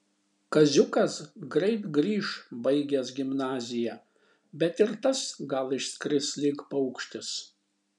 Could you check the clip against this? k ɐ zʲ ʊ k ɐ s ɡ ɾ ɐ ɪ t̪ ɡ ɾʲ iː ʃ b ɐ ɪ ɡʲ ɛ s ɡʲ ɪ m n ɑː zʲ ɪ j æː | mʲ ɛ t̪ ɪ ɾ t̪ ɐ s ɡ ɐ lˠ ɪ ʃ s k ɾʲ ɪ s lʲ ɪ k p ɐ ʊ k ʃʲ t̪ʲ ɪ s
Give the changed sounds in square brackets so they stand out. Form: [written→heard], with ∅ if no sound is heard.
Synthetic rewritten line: k ɐ zʲ ʊ k ɐ s ɡ ɾ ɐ ɪ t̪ ɡ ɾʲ iː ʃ b ɐ ɪ ɡʲ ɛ s ɡʲ ɪ m n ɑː zʲ ɪ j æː | [mʲ→bʲ] ɛ t̪ ɪ ɾ t̪ ɐ s ɡ ɐ lˠ ɪ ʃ s k ɾʲ ɪ s lʲ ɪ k p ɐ ʊ k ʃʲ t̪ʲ ɪ s